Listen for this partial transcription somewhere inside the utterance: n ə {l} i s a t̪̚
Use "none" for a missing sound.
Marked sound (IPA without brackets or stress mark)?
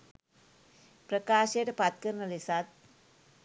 l